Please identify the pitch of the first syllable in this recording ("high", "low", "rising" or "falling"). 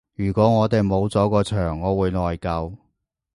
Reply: low